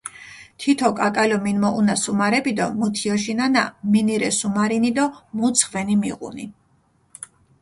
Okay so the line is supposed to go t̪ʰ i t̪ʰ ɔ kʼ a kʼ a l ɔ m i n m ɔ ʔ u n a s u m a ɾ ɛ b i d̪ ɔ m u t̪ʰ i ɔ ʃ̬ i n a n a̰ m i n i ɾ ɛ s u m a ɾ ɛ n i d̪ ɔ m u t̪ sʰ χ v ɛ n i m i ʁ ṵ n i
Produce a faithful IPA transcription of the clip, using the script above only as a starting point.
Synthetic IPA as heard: t̪ʰ i t̪ʰ ɔ kʼ a kʼ a l ɔ m i n m ɔ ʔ u n a s u m a ɾ ɛ b i d̪ ɔ m u t̪ʰ i ɔ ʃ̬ i n a n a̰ m i n i ɾ ɛ s u m a ɾ i n i d̪ ɔ m u t̪ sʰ χ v ɛ n i m i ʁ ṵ n i